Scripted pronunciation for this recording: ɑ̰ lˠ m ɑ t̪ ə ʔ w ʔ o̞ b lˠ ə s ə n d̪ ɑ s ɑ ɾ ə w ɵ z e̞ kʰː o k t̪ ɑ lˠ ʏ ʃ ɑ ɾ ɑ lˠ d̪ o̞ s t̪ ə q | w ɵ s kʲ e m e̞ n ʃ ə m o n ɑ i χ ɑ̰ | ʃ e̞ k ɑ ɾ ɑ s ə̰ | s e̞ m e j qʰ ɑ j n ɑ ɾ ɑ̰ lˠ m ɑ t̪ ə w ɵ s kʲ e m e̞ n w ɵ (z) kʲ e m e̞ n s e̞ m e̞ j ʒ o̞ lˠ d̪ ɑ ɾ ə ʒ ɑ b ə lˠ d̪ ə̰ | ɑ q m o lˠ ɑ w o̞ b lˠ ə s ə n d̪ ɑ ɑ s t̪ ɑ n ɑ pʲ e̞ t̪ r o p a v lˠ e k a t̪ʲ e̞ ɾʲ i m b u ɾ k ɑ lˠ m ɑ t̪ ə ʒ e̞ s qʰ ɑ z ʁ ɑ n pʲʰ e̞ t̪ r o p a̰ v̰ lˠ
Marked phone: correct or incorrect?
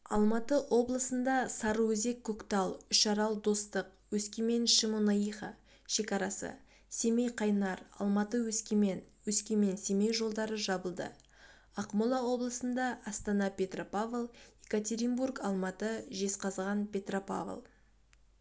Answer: incorrect